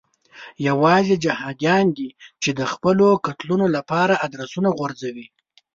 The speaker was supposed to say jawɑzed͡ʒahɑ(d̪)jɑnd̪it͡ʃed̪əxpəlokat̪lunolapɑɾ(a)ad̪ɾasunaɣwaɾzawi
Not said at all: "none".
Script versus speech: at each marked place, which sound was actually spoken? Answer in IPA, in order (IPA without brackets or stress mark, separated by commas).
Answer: d̪, a